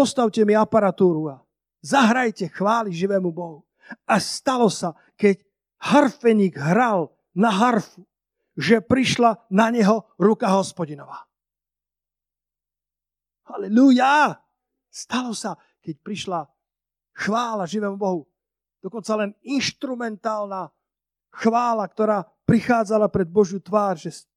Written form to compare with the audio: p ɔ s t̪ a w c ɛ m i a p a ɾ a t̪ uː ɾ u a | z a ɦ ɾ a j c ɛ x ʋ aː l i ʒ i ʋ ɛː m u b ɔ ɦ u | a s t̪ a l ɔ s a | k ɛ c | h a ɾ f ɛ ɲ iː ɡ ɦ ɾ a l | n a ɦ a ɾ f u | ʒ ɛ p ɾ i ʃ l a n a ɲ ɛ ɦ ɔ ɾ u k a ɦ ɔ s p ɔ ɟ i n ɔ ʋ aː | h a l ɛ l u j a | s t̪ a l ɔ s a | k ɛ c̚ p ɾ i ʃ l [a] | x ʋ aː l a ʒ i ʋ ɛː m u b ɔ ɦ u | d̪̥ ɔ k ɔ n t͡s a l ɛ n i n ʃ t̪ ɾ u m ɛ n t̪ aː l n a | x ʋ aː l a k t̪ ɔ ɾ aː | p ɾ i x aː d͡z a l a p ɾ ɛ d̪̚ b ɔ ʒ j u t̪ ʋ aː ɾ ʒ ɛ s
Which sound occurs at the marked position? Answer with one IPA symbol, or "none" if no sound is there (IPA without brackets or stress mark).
a